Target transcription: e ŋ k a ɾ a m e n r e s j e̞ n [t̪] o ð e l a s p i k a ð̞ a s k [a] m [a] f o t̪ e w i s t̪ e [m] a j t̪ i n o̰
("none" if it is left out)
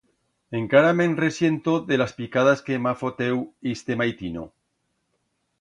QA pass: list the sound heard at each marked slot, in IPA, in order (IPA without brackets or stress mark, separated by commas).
t̪, e, a, m